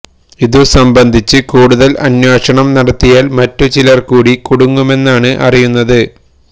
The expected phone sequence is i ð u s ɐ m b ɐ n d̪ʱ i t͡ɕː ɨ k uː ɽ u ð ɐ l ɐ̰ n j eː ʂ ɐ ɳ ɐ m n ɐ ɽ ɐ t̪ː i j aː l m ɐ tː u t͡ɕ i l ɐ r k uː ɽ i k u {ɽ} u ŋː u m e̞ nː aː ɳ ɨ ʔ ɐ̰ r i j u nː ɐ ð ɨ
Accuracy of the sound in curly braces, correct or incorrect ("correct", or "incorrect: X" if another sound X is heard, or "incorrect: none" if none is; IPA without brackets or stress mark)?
correct